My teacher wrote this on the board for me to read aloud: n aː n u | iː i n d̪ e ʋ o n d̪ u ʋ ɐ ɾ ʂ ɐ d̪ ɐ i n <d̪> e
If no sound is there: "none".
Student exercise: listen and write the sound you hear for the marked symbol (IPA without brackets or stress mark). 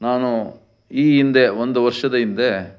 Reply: d̪